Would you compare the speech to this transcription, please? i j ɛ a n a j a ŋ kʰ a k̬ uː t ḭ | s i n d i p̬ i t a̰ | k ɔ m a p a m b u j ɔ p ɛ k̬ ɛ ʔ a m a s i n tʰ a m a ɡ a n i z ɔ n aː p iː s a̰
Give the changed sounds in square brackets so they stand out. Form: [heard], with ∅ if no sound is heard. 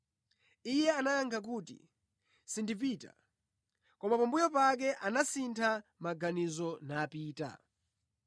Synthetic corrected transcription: i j ɛ a n a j a ŋ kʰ a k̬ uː t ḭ | s i n d i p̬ i t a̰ | k ɔ m a p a m b u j ɔ p [a] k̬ ɛ ʔ a [n] a s i n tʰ a m a ɡ a n i z ɔ n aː p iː [t] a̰